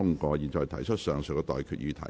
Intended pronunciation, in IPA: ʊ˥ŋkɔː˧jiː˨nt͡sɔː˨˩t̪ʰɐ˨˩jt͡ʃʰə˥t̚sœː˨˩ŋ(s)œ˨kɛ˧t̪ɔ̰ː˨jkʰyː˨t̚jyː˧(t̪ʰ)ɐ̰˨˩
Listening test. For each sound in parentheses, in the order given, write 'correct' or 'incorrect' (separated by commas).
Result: correct, correct